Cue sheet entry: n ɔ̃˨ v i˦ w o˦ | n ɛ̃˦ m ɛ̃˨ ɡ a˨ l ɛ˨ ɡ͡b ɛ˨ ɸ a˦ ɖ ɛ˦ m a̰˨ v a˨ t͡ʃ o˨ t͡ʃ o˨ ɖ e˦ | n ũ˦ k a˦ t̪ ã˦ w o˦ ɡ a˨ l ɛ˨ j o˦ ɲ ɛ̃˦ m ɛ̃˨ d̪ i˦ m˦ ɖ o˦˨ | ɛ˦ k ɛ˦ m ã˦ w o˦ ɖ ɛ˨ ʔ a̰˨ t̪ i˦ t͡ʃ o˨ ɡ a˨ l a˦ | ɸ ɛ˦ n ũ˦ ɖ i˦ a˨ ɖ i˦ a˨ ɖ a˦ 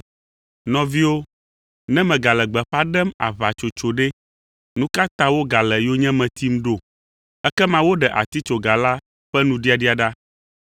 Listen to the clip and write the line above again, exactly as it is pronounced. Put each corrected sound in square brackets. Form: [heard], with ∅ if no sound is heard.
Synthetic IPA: n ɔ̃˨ v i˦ w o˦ | n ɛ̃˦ m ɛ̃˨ ɡ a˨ l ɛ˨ ɡ͡b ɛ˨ ɸ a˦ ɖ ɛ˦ m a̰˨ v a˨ t͡ʃ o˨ t͡ʃ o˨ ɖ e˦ | n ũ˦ k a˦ t̪ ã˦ w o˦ ɡ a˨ l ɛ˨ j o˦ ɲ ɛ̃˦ m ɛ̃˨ [t̪] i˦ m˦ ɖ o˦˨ | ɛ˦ k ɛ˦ m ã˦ w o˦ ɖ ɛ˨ ʔ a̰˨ t̪ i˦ t͡ʃ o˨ ɡ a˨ l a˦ | ɸ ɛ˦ n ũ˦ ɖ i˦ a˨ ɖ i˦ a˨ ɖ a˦